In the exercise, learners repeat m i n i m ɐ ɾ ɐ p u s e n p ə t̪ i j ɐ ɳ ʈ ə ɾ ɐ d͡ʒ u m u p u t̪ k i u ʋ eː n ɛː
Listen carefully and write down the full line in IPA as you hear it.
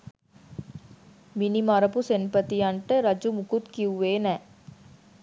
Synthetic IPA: m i n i m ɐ ɾ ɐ p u s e n p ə t̪ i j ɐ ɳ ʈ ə ɾ ɐ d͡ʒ u m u k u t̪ k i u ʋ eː n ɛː